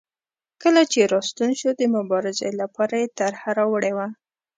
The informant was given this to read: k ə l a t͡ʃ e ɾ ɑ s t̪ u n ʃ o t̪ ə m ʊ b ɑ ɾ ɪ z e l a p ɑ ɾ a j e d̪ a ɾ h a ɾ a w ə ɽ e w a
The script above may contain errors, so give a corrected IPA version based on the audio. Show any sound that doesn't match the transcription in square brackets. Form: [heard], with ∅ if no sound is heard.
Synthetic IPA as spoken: k ə l a t͡ʃ e ɾ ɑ s t̪ u n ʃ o [d̪] ə m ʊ b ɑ ɾ ɪ z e l a p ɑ ɾ a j e [t̪] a ɾ h a ɾ a w ə ɽ e w a